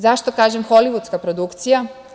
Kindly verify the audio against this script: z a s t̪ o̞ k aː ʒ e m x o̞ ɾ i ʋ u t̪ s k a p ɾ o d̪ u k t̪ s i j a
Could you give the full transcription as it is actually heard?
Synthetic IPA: z a ʃ t̪ o̞ k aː ʒ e m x o̞ l i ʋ u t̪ s k a p ɾ o d̪ u k t̪ s i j a